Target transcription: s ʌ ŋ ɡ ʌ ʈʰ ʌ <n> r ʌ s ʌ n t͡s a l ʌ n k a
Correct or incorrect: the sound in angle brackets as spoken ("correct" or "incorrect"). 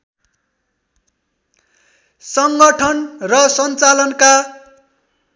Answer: correct